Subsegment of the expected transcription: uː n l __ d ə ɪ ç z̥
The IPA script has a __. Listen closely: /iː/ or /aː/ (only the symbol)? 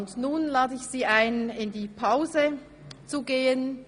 aː